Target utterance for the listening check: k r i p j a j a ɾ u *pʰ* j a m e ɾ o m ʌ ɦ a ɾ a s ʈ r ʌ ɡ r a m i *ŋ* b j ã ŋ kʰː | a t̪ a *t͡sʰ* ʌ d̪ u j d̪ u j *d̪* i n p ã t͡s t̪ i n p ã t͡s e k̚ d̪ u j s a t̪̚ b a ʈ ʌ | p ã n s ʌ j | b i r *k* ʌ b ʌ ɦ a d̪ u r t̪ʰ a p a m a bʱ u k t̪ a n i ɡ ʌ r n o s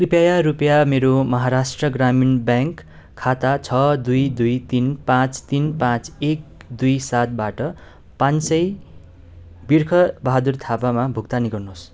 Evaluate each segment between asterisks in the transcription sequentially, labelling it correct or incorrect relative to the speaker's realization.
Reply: incorrect: p, incorrect: n, correct, incorrect: t̪, incorrect: kʰ

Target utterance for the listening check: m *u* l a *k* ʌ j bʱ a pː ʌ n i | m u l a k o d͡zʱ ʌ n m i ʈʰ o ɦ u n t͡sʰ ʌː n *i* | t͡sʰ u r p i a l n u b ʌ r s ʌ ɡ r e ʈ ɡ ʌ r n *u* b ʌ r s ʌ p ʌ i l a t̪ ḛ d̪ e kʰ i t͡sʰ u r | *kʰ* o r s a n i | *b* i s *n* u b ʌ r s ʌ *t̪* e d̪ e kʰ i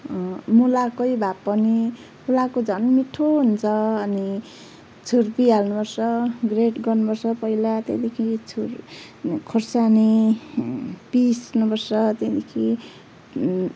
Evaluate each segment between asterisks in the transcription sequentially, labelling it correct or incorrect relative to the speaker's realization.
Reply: correct, correct, correct, correct, correct, incorrect: p, correct, correct

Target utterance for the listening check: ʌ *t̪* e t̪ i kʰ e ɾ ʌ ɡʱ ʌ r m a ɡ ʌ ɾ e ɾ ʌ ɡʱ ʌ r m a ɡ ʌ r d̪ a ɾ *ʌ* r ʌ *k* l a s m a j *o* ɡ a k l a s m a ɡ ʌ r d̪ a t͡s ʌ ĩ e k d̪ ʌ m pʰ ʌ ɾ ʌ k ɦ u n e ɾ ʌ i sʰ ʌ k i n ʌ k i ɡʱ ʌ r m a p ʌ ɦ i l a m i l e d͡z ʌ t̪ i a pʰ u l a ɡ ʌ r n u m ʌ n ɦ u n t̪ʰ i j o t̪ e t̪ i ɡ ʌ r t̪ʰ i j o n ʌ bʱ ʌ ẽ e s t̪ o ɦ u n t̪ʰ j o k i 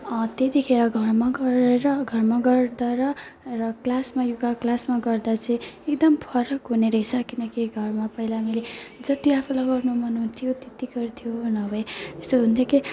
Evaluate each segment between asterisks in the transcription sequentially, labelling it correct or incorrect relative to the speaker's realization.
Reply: correct, correct, correct, incorrect: u

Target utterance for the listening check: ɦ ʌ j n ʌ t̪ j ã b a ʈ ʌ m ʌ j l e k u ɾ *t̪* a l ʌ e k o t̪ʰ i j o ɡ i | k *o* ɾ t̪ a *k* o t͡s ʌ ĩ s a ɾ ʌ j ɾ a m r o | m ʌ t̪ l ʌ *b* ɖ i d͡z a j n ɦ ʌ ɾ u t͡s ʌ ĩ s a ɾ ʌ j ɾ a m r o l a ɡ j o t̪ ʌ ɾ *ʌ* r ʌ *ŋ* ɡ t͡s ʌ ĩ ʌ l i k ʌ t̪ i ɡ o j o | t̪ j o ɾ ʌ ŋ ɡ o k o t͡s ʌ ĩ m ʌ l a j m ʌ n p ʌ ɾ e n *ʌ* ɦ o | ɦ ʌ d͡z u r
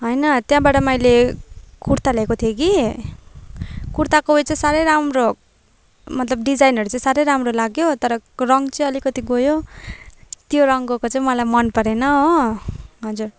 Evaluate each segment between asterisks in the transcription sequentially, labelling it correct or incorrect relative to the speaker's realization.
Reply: correct, incorrect: u, correct, correct, correct, correct, correct

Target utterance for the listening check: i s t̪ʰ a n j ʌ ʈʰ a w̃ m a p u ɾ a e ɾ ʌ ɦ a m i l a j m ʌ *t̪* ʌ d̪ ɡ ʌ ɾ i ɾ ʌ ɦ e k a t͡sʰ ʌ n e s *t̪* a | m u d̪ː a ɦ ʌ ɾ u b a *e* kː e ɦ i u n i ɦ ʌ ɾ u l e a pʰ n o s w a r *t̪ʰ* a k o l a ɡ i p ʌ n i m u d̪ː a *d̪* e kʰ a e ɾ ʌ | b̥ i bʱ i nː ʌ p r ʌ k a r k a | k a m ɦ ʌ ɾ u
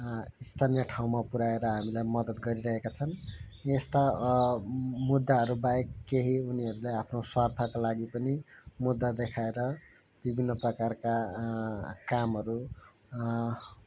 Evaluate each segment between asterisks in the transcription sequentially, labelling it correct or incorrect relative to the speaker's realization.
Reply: incorrect: d̪, correct, correct, correct, correct

